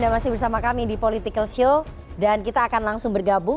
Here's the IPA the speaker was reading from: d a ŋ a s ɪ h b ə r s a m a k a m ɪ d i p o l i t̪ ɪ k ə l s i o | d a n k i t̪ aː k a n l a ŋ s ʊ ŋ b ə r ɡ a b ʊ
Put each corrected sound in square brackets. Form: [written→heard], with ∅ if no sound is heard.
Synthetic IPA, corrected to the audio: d a [ŋ→m] a s ɪ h b ə r s a m a k a m [ɪ→i] d i p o l i t̪ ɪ k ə l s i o | d a n k i t̪ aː k a n l a ŋ s ʊ ŋ b ə r ɡ a b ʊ